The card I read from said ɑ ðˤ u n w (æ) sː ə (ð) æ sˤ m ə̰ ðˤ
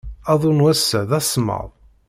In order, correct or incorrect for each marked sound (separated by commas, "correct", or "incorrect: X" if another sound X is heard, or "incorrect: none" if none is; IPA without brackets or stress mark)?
correct, correct